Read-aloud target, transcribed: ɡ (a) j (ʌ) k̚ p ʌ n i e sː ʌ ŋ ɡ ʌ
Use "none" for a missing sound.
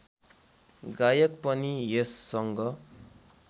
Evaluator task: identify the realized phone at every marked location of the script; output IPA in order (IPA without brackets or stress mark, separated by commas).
a, ʌ